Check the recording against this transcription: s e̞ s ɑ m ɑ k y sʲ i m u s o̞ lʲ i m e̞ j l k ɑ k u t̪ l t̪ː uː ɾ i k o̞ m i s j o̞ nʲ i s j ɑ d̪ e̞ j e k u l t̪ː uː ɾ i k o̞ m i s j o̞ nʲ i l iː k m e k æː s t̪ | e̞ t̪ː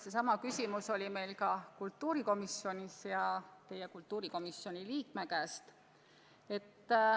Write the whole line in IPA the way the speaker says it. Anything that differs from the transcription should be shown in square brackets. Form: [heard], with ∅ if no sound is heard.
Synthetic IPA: s e̞ s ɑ m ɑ k y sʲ i m u s o̞ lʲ i m e̞ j l k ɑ k u [∅] l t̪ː uː ɾ i k o̞ m i s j o̞ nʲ i s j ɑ [t̪] e̞ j e k u l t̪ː uː ɾ i k o̞ m i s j o̞ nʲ i l iː k m e k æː s t̪ | e̞ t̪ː